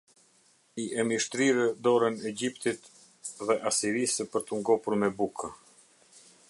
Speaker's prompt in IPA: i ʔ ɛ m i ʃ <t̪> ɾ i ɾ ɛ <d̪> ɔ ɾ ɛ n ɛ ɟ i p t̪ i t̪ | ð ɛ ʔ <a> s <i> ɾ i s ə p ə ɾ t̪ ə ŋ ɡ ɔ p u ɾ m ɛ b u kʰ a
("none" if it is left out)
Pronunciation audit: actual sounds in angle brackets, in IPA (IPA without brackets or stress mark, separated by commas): t̪, d̪, a, i